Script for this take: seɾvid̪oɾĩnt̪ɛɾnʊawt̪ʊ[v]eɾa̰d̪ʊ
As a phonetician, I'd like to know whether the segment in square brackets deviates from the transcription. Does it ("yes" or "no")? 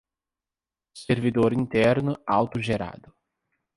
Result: yes